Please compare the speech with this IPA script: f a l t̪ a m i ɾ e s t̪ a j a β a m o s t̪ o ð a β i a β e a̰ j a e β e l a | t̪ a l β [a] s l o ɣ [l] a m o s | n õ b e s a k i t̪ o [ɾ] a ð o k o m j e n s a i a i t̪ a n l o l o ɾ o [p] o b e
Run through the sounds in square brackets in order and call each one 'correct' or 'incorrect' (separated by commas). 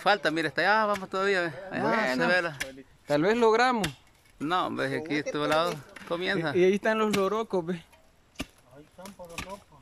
incorrect, incorrect, incorrect, incorrect